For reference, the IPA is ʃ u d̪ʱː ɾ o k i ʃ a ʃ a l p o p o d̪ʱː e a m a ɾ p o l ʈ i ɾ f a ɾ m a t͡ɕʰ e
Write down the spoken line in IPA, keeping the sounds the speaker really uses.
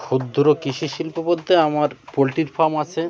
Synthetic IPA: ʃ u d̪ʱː ɾ o k i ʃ i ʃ i l p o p o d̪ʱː e a m a ɾ p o l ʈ i ɾ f a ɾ m a t͡ɕʰ e